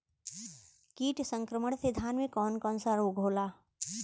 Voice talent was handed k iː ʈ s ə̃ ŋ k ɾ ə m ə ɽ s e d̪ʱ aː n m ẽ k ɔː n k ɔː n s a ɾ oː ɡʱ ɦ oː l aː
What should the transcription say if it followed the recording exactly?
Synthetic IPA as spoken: k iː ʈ s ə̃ ŋ k ɾ ə m ə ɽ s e d̪ʱ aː n m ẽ k ɔː n k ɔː n s a ɾ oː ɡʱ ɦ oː l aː